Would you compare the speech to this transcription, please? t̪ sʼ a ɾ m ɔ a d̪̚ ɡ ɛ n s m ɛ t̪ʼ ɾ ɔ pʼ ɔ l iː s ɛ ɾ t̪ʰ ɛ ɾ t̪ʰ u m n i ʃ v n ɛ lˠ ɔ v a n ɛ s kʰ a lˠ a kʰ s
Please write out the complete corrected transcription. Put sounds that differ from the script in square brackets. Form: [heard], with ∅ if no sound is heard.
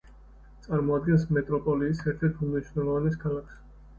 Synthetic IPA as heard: t̪ sʼ a ɾ m ɔ a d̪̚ ɡ ɛ n s m ɛ t̪ʼ ɾ ɔ pʼ ɔ l iː s ɛ ɾ t̪ʰ ɛ ɾ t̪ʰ u m n i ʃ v n ɛ lˠ ɔ v a n ɛ s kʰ a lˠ a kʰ s